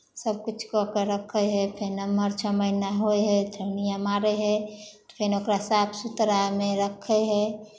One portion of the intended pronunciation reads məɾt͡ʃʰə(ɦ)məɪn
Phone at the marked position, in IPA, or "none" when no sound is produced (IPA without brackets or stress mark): none